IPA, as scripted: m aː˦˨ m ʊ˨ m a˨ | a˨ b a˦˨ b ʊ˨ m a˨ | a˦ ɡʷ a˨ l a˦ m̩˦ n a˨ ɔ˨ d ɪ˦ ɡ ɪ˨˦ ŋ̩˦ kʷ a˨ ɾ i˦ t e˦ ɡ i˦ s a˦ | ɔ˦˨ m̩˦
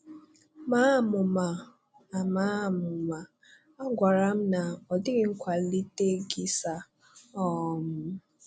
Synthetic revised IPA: m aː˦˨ m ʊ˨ m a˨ | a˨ m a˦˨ m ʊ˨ m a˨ | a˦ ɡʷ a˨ ɾ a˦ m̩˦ n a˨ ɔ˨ d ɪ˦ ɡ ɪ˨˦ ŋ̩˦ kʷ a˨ l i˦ t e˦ ɡ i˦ s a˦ | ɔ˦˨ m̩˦